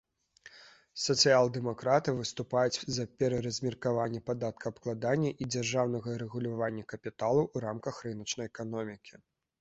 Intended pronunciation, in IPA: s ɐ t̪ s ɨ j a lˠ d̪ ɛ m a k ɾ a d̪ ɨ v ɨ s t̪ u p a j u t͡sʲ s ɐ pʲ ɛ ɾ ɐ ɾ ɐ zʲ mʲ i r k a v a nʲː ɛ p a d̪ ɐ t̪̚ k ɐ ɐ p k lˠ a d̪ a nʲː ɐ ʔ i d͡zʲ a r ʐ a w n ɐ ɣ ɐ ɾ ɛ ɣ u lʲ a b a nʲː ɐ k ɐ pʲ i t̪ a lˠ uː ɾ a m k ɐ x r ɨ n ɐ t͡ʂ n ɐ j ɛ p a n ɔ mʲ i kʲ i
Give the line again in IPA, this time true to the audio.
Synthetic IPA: s ɐ t̪ s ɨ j a lˠ d̪ ɛ m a k ɾ a t̪ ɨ v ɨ s t̪ u p a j u t͡sʲ z ɐ pʲ ɛ ɾ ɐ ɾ ɐ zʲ mʲ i r k a v a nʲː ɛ p a d̪ a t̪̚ k ɐ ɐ p k lˠ a d̪ a nʲː ɐ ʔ i d͡zʲ a r ʐ a w n ɐ ɣ ɐ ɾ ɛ ɣ u lʲ a v a nʲː ɐ k ɐ pʲ i t̪ a lˠ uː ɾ a m k ɐ x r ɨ n ɐ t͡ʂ n ɐ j ɛ k a n ɔ mʲ i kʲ i